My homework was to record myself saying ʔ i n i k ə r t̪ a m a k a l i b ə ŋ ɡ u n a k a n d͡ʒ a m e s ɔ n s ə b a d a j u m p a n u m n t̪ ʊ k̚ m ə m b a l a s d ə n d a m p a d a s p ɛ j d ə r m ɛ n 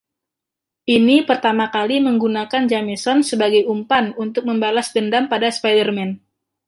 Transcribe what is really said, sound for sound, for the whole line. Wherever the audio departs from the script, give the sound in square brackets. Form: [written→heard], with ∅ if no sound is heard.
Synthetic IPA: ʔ i n i [k→p] ə r t̪ a m a k a l i [b→m] ə ŋ ɡ u n a k a n d͡ʒ a m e s ɔ n s ə b a [d→ɡ] a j u m p a n u [m→∅] n t̪ ʊ k̚ m ə m b a l a s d ə n d a m p a d a s p [ɛ→a] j d ə r m ɛ n